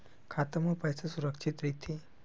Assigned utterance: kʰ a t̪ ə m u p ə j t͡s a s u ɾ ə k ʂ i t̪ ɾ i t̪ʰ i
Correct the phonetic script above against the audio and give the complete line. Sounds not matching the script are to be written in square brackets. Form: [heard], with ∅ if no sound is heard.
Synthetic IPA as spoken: kʰ a t̪ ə m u p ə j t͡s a s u ɾ ə k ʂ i t̪ ɾ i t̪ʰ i